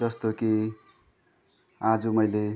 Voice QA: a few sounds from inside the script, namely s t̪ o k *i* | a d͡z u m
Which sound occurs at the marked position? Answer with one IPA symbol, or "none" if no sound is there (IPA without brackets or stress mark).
i